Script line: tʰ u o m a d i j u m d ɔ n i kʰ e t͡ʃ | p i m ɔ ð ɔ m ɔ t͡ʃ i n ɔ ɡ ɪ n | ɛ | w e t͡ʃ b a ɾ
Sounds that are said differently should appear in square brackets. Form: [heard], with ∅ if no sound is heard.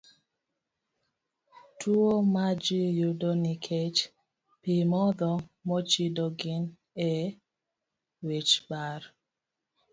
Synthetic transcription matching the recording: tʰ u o m a [d͡ʒ] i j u [∅] d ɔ n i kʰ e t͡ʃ | p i m ɔ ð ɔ m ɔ t͡ʃ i [d] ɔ ɡ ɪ n | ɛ | w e t͡ʃ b a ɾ